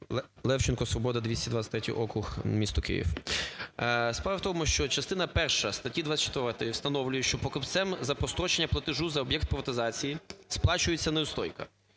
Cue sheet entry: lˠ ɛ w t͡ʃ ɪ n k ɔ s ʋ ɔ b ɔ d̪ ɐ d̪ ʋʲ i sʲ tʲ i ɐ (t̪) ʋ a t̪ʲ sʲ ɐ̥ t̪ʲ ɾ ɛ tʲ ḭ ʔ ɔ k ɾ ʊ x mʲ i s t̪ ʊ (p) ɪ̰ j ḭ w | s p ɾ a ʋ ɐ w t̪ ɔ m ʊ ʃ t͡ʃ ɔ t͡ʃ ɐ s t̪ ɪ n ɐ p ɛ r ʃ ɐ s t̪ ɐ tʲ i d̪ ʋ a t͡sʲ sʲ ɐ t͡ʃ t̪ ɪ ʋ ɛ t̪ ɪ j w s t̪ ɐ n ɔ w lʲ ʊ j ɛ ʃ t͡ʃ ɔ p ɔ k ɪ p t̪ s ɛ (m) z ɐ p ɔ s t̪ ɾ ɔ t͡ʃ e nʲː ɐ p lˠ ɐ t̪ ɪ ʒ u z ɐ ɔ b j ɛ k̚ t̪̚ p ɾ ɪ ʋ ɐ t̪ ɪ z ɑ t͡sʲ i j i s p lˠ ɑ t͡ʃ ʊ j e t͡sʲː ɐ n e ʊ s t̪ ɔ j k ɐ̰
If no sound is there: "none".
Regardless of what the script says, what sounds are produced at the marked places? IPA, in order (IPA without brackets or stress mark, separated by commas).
d̪, k, m